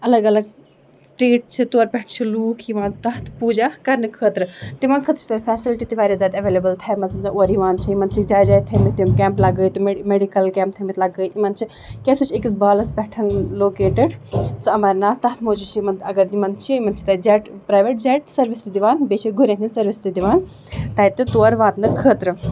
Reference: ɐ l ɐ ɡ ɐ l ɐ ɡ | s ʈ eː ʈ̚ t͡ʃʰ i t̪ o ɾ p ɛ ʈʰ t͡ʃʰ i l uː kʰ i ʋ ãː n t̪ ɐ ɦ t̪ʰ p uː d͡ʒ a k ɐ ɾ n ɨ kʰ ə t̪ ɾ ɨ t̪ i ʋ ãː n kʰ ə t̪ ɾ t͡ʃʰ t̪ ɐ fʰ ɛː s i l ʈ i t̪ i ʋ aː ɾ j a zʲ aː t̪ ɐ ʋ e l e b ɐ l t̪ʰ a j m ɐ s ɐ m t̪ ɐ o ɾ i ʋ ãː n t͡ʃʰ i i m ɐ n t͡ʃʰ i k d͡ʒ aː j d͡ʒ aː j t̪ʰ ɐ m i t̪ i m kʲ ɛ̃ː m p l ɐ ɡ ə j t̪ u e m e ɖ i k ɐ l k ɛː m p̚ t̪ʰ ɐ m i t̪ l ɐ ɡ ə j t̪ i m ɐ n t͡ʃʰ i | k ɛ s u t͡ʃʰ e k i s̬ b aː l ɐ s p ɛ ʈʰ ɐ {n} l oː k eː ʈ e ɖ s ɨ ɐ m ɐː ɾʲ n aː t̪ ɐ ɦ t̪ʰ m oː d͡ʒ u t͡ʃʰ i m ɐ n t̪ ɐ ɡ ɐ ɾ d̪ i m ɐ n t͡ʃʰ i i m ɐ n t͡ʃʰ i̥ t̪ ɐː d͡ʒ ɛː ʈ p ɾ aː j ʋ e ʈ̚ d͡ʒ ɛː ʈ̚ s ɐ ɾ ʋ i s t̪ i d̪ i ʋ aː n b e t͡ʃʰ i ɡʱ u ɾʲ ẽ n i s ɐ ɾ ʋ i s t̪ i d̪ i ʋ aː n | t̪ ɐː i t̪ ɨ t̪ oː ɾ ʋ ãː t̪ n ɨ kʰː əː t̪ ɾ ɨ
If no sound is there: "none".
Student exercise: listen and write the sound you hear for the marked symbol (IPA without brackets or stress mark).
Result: n